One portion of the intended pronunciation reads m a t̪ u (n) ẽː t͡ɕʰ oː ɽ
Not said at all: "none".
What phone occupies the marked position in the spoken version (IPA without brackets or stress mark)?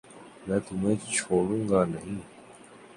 m